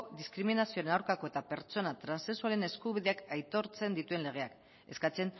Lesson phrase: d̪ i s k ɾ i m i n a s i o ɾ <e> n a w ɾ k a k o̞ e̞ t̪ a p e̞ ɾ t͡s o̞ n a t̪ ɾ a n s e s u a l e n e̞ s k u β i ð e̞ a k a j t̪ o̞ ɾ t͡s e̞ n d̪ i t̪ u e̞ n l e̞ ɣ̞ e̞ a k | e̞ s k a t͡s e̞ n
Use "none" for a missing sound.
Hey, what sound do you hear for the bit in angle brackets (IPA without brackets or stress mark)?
e